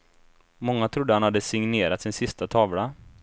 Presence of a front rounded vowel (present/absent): absent